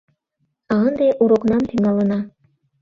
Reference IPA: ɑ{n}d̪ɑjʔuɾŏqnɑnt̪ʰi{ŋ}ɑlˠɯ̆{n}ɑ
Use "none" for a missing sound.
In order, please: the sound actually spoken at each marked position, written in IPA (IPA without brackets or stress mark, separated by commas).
n, ŋ, n